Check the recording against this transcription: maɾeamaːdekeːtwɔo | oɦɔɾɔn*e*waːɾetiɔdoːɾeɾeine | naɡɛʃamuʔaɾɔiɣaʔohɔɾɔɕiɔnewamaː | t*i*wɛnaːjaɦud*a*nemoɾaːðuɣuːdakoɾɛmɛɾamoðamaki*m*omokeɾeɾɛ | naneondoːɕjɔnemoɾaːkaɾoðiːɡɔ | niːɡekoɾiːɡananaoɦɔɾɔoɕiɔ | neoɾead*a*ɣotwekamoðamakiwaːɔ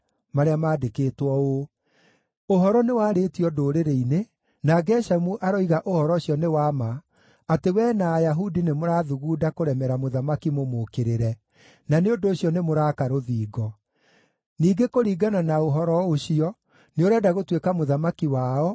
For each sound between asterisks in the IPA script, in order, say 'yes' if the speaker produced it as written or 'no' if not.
yes, no, no, yes, yes

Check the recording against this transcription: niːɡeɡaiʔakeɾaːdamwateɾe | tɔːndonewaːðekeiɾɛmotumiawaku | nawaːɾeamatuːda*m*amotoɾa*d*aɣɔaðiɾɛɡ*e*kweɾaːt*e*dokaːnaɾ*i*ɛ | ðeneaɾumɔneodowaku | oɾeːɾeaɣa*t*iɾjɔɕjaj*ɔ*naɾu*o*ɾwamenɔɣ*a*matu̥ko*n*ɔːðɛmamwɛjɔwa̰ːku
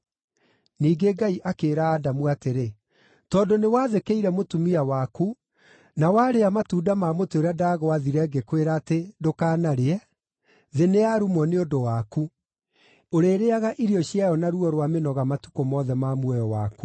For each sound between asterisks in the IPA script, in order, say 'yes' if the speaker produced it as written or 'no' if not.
yes, yes, yes, yes, no, no, yes, no, yes, no

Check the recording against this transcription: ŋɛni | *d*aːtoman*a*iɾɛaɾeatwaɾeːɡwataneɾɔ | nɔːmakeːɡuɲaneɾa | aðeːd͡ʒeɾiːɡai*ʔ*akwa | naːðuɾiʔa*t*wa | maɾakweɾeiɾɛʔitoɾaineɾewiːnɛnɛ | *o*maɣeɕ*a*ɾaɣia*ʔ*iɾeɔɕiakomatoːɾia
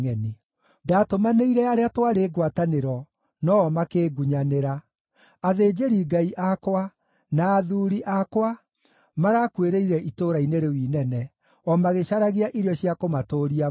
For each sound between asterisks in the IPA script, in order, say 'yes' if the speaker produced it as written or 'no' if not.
yes, no, yes, no, no, yes, yes

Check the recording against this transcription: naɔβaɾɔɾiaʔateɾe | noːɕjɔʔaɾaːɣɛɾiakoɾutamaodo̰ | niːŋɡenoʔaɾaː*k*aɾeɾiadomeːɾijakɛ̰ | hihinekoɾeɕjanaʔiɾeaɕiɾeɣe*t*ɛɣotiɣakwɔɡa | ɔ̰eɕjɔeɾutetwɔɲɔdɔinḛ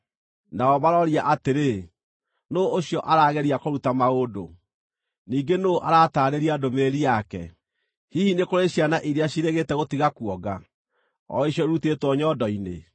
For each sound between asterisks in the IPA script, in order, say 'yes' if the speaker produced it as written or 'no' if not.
no, yes

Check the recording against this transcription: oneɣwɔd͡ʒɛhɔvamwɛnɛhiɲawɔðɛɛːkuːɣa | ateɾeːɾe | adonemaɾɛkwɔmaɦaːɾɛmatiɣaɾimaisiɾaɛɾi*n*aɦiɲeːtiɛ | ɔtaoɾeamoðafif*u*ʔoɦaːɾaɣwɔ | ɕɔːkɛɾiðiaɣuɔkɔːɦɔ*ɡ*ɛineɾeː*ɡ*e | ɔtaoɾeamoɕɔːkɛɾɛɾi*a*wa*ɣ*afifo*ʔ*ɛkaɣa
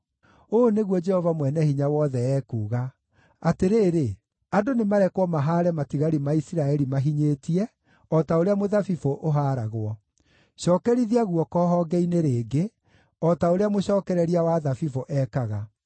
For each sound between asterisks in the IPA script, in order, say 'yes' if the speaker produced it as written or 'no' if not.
no, no, yes, yes, yes, no, yes

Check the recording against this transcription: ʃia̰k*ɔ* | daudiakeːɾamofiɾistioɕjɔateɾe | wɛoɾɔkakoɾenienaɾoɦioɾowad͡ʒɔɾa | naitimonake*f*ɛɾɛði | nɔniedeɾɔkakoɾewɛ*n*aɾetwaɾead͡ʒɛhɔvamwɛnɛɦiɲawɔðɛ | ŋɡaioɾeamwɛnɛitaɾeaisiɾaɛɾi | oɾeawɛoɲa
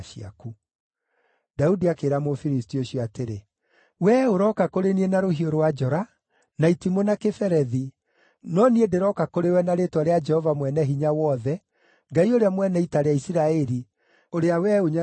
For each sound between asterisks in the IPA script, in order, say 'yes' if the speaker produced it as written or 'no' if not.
no, yes, yes

